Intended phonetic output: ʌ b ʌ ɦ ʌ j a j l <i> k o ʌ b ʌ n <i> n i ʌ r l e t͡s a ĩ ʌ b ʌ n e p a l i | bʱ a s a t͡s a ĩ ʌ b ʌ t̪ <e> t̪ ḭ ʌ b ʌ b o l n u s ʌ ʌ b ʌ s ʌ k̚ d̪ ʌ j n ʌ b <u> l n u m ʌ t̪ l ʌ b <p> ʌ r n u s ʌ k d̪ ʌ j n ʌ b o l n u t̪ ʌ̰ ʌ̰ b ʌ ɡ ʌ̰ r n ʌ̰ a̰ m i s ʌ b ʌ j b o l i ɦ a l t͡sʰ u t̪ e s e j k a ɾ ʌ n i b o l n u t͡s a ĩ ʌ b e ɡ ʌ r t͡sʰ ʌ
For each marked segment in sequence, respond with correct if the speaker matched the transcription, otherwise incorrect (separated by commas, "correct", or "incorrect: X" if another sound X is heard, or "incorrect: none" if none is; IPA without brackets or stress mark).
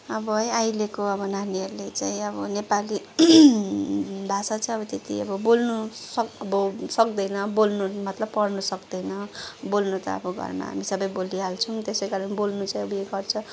incorrect: e, incorrect: a, correct, incorrect: o, correct